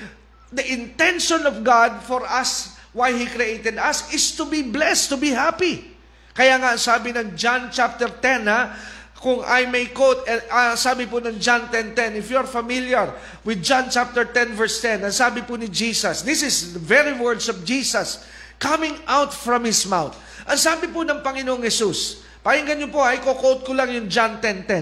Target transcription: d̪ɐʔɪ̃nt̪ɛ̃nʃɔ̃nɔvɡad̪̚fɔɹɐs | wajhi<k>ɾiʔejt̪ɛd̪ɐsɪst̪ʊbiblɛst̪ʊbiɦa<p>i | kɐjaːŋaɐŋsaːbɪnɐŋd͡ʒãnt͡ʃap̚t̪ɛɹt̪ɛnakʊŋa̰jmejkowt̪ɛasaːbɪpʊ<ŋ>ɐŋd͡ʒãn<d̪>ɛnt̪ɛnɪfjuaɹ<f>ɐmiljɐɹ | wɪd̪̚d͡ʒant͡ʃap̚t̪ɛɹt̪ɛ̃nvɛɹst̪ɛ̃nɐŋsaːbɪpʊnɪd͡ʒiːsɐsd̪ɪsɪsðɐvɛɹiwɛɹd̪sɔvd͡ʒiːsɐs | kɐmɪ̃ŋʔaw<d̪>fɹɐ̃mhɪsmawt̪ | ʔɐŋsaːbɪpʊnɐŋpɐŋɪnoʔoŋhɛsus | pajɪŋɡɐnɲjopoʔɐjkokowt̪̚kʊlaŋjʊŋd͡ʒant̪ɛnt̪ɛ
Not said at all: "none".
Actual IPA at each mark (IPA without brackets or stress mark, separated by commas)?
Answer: k, p, n, t̪, f, t̪